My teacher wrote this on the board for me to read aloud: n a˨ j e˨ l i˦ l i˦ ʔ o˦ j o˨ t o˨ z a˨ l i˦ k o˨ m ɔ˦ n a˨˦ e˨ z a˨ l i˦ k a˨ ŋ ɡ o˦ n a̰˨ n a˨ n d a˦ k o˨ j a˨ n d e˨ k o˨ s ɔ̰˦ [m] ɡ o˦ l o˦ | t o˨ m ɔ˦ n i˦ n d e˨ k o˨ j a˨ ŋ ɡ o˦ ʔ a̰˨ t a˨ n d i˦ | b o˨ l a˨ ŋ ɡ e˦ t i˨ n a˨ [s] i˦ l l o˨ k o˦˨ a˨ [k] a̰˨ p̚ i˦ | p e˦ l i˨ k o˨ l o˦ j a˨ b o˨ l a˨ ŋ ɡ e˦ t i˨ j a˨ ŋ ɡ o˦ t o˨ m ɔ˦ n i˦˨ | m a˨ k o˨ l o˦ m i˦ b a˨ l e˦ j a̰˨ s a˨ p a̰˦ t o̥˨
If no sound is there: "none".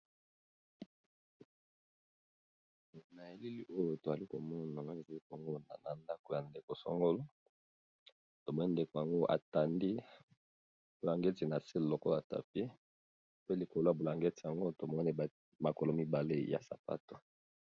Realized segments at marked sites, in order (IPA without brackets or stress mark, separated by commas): ŋ, s, t